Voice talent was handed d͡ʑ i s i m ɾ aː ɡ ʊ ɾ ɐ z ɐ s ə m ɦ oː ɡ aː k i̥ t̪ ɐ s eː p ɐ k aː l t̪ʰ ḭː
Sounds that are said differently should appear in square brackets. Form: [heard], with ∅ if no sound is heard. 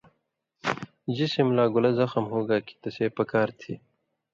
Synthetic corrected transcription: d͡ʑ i s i m [l] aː ɡ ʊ [l] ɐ z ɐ [x] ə m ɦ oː ɡ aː k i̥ t̪ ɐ s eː p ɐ k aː [ɾ] t̪ʰ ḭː